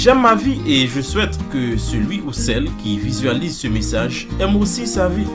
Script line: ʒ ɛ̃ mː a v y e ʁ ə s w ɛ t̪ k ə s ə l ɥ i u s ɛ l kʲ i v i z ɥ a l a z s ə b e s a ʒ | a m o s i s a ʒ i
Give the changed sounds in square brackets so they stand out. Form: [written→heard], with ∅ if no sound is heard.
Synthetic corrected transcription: ʒ [ɛ̃→ɛ] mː a v [y→i] e [ʁ→ʒ] ə s w ɛ t̪ k ə s ə l ɥ i u s ɛ l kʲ i v i z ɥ a l [a→i] z s ə [b→m] e s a ʒ | [a→ɛ] m o s i s a [ʒ→v] i